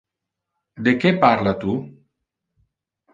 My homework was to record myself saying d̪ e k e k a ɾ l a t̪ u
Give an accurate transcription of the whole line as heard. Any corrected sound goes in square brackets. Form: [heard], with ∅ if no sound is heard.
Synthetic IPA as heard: d̪ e k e [p] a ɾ l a t̪ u